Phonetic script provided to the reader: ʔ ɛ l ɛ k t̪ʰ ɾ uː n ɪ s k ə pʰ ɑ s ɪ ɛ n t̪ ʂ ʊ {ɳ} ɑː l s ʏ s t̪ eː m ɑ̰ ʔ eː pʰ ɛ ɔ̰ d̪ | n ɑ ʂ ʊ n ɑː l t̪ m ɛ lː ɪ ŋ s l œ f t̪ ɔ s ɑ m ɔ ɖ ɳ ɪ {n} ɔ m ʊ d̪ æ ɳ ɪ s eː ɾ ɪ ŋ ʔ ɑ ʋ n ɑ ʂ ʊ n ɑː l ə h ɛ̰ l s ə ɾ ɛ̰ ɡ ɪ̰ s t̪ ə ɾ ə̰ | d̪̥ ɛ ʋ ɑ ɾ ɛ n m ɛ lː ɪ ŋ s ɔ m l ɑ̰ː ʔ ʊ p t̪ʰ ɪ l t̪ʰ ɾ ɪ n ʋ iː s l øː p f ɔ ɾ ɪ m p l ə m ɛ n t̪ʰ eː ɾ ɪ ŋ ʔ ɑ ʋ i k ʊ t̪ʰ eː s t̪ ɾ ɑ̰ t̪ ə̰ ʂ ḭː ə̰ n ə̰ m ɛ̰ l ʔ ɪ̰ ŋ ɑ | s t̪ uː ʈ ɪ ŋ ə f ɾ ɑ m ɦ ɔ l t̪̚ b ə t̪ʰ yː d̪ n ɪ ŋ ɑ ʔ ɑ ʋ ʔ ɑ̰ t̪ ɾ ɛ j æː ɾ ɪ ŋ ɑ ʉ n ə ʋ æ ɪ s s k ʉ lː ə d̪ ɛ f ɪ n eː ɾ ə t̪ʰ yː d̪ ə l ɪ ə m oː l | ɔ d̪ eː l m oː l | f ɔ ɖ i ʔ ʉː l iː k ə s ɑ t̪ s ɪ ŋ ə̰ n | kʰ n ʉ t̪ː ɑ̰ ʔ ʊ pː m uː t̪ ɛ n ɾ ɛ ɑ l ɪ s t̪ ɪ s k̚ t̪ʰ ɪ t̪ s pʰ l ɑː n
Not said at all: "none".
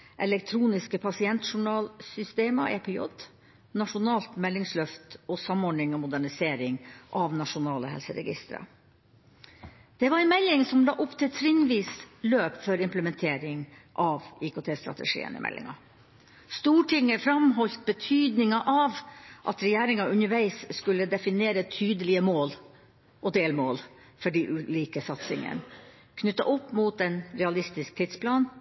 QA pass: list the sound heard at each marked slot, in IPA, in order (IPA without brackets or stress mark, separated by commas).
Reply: ɳ, ŋ